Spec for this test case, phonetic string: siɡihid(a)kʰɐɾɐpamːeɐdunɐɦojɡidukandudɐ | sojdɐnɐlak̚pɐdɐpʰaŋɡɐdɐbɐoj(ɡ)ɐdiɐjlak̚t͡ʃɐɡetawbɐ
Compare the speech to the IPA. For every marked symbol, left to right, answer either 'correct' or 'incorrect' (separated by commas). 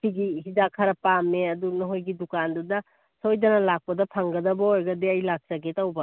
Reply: correct, correct